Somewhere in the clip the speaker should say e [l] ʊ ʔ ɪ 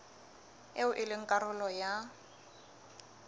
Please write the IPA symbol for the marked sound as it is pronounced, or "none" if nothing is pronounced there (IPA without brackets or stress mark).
none